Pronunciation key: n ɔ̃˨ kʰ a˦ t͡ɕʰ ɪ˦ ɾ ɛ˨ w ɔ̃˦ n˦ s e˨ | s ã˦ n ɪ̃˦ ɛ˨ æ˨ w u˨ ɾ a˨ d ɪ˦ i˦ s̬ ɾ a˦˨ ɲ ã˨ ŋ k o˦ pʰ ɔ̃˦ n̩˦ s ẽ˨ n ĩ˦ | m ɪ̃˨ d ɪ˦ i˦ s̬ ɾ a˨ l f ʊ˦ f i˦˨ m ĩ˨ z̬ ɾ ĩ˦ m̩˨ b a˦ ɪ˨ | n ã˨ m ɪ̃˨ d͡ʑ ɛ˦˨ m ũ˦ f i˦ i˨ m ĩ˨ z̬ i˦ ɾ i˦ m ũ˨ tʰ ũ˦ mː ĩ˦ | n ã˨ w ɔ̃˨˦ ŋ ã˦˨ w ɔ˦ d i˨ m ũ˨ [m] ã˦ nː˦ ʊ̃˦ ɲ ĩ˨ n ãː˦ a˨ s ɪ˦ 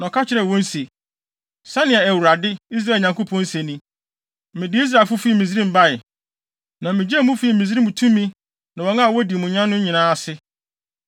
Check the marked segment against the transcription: incorrect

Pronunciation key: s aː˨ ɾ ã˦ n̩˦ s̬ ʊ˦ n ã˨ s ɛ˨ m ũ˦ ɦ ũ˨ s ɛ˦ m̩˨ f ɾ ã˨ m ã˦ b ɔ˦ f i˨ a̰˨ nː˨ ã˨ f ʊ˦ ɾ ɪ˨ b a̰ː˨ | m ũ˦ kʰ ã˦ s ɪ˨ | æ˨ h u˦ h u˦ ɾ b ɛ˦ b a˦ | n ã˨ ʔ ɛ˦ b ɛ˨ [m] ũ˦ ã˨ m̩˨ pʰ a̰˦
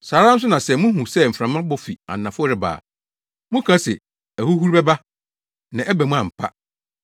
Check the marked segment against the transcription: correct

